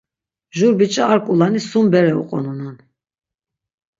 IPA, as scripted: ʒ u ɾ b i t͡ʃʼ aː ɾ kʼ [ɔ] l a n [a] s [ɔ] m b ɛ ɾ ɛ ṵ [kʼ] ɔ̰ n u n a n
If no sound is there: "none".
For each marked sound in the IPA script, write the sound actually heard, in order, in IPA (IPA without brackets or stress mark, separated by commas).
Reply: u, i, u, qʼ